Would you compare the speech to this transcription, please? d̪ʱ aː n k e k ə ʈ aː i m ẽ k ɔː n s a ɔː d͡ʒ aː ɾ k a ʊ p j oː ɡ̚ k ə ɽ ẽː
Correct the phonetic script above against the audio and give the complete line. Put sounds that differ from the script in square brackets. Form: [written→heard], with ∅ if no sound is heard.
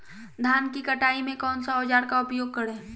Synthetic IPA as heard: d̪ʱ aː n k [e→i] k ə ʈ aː i m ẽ k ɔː n s a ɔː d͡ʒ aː ɾ k a ʊ p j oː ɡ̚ k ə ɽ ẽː